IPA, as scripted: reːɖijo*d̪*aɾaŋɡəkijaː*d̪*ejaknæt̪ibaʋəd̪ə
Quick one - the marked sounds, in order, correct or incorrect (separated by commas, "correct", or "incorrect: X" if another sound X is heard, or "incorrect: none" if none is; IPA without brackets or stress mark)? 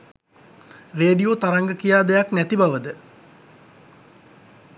incorrect: t̪, correct